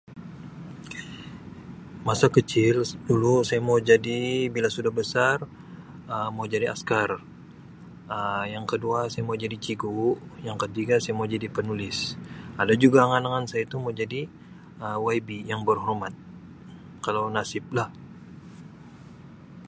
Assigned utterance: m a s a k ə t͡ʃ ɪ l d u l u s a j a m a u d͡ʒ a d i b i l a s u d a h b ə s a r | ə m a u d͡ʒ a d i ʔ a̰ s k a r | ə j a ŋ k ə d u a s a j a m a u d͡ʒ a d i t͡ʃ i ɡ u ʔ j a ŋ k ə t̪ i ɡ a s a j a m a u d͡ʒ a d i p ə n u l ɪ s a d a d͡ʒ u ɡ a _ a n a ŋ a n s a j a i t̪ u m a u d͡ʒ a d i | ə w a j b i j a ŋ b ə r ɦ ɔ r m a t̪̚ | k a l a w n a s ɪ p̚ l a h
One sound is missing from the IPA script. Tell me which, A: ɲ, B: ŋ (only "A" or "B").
B